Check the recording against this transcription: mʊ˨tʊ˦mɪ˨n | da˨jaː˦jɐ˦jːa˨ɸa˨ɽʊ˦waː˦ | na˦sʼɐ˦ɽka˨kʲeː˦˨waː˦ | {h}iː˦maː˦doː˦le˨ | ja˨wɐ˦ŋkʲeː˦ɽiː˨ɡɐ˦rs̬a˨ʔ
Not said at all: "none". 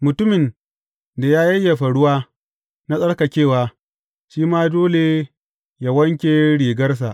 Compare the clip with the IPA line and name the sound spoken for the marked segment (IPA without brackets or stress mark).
ʃ